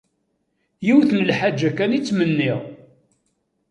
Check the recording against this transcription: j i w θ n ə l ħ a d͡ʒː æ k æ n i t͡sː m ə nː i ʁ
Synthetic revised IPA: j i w θ n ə l ħ a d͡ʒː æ k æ n i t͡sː m ə nː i ʁ